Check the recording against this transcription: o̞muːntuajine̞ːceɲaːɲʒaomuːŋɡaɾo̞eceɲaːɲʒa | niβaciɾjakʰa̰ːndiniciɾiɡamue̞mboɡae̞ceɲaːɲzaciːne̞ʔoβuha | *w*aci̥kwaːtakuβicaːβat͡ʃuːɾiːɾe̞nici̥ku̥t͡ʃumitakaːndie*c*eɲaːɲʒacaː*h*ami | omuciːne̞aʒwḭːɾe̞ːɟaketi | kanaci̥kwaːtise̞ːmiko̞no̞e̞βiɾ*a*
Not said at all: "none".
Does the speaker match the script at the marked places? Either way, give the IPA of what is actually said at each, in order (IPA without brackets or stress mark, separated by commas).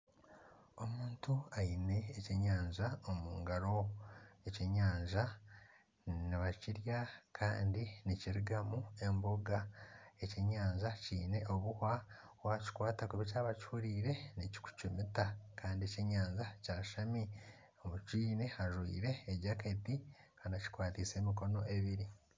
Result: w, c, ʃ, i